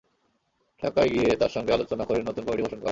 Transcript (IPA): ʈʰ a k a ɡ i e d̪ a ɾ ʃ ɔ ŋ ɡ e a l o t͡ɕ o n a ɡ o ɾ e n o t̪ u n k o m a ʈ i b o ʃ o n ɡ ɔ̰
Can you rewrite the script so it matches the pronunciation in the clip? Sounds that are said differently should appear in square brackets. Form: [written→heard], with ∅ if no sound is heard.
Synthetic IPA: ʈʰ a k a ɡ i e [d̪→t̪] a ɾ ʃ ɔ ŋ ɡ e a l o t͡ɕ o n a [ɡ→k] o ɾ e n o t̪ u n k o m [a→i] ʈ i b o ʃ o n [ɡ→k] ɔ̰